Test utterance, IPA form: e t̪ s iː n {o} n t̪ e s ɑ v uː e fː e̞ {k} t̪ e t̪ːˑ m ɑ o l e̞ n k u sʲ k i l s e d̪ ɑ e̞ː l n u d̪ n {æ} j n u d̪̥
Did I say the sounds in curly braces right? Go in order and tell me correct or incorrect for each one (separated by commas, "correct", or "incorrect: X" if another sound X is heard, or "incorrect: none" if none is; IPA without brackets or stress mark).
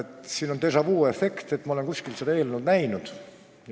correct, correct, correct